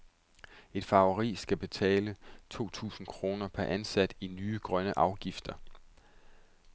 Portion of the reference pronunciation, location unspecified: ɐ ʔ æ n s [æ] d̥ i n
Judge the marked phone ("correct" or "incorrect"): correct